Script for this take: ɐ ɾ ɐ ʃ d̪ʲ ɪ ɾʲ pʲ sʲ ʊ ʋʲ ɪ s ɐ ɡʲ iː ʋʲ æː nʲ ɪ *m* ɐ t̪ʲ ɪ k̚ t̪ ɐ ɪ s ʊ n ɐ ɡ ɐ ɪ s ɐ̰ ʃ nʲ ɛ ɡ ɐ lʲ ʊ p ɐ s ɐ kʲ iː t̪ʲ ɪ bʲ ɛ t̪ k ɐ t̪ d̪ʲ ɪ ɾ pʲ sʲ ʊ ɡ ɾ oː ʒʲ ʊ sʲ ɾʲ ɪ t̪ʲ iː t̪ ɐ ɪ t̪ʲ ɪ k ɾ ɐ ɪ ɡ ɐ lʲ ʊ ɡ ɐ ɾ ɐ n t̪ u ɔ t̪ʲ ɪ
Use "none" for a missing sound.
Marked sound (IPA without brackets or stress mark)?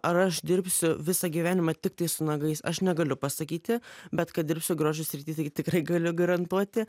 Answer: m